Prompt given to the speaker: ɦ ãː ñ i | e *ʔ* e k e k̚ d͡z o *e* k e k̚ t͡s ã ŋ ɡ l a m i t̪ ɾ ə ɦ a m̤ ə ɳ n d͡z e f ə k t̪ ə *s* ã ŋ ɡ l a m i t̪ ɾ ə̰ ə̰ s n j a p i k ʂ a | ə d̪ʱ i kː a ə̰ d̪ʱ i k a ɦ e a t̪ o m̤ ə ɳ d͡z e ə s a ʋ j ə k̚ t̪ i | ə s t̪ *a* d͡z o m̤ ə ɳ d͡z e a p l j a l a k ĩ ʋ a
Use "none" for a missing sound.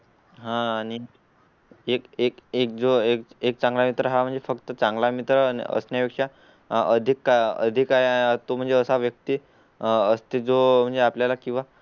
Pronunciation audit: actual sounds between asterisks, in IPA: k, e, t͡s, e

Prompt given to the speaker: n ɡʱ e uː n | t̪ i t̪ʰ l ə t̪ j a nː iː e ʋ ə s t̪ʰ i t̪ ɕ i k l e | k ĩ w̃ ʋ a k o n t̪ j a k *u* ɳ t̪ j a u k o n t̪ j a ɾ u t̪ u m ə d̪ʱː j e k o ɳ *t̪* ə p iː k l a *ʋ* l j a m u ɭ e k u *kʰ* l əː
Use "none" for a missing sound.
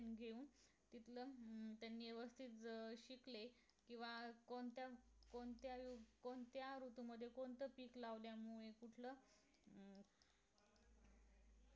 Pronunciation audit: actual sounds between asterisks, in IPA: o, t̪, ʋ, ʈʰ

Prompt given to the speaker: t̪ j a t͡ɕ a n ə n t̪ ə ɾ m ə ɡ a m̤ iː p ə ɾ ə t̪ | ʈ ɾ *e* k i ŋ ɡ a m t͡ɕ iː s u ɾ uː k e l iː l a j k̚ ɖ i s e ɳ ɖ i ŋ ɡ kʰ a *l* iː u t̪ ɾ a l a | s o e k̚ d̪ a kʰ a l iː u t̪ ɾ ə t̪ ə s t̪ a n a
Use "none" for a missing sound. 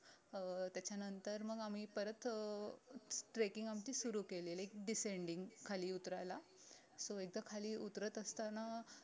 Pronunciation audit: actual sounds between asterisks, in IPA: e, l

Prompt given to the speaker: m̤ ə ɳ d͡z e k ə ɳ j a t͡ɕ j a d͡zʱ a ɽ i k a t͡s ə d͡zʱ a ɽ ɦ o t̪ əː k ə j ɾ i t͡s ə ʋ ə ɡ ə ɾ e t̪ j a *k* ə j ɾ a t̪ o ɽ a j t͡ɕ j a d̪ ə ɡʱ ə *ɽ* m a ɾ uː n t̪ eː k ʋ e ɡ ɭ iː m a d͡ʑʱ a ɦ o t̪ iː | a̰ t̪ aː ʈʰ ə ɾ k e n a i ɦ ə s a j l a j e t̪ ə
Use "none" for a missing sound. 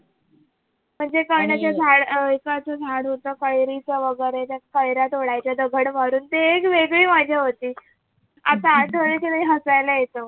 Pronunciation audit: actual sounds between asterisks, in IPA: k, ɽ

